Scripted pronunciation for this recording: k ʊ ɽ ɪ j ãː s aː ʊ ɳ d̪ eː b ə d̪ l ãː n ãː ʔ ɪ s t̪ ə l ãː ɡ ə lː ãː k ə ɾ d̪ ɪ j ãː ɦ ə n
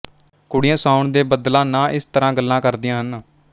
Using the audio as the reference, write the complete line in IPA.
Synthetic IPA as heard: k ʊ ɽ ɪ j ãː s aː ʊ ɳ d̪ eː b ə d̪ l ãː n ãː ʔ ɪ s t̪ ə ɾ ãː ɡ ə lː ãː k ə ɾ d̪ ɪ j ãː ɦ ə n